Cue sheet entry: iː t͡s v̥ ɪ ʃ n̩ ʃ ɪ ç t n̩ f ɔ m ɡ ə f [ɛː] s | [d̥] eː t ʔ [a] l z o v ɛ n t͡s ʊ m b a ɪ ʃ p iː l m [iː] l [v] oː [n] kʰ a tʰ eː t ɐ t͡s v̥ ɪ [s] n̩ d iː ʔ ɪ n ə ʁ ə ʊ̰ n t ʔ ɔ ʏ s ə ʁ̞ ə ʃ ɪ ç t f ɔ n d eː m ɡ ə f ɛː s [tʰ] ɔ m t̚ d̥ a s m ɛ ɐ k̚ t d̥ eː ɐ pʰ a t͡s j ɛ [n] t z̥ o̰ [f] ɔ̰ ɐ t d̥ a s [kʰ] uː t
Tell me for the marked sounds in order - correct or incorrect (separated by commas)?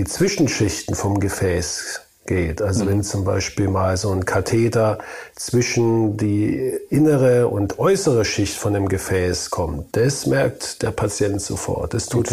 correct, incorrect, correct, incorrect, incorrect, correct, incorrect, incorrect, correct, correct, incorrect